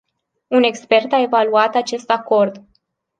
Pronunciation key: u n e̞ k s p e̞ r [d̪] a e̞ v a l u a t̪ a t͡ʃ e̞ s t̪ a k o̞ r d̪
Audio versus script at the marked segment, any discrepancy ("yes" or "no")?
yes